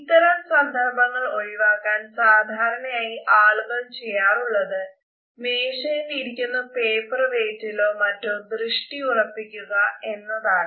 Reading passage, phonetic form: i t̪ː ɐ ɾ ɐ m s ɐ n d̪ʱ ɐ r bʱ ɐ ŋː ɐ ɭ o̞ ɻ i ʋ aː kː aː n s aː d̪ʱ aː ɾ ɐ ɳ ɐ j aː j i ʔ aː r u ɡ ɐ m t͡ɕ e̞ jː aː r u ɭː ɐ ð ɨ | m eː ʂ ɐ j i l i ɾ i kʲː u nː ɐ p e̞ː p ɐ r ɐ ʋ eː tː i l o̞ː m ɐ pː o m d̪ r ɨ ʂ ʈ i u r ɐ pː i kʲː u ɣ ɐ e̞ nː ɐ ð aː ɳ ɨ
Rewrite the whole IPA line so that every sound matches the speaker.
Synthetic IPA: i t̪ː ɐ ɾ ɐ m s ɐ n d̪ʱ ɐ r bʱ ɐ ŋː ɐ ɭ o̞ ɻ i ʋ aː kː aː n s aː d̪ʱ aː ɾ ɐ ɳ ɐ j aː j i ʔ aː ɭ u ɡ ɐ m t͡ɕ e̞ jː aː r u ɭː ɐ ð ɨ | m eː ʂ ɐ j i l i ɾ i kʲː u nː ɐ p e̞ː p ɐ r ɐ ʋ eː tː i l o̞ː m ɐ tː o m d̪ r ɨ ʂ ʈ i u r ɐ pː i kʲː u ɣ ɐ e̞ nː ɐ ð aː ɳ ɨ